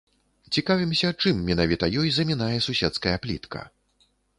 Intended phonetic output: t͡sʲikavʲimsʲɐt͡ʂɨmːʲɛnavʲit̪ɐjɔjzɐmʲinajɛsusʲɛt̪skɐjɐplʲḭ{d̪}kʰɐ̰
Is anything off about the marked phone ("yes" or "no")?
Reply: yes